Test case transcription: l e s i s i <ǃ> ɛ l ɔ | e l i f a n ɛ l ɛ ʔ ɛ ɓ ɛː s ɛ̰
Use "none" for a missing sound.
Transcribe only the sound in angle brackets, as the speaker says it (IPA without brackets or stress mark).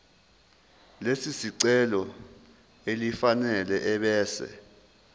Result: ǀ